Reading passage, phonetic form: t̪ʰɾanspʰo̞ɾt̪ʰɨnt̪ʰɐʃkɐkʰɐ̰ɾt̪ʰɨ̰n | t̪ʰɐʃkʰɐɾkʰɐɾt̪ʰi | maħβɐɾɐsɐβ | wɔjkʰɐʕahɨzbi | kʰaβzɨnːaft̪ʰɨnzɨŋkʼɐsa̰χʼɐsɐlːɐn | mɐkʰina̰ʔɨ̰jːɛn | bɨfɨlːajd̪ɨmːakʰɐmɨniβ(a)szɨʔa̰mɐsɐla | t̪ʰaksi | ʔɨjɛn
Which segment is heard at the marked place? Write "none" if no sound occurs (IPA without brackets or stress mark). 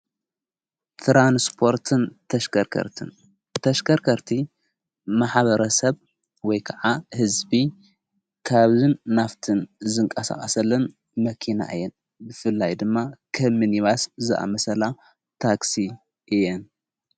a